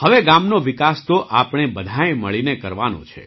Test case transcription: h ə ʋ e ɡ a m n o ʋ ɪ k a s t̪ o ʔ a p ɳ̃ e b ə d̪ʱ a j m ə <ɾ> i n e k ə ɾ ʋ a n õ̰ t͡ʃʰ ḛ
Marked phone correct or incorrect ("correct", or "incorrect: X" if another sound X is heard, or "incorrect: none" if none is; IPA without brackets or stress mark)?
incorrect: ɭ